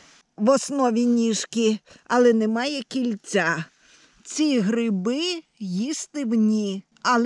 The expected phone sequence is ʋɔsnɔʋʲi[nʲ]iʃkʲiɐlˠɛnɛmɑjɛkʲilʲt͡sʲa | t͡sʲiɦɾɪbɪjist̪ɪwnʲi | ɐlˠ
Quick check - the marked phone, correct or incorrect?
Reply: correct